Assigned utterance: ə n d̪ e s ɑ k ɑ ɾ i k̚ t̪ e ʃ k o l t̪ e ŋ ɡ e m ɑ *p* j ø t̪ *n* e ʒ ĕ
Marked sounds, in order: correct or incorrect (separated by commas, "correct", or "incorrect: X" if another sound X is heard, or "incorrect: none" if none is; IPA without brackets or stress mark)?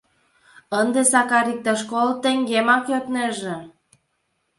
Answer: incorrect: k, correct